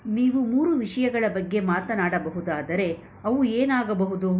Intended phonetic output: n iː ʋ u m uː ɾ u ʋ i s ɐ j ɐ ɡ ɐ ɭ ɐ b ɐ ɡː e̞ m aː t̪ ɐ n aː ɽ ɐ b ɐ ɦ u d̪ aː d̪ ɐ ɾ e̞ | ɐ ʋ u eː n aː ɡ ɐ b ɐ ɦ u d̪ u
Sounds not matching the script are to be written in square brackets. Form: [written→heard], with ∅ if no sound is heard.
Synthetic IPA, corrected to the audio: n iː ʋ u m uː ɾ u ʋ i [s→ʂ] ɐ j ɐ ɡ ɐ ɭ ɐ b ɐ ɡː e̞ m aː t̪ ɐ n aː ɽ ɐ b ɐ ɦ u d̪ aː d̪ ɐ ɾ e̞ | ɐ ʋ u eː n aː ɡ ɐ b ɐ ɦ u d̪ u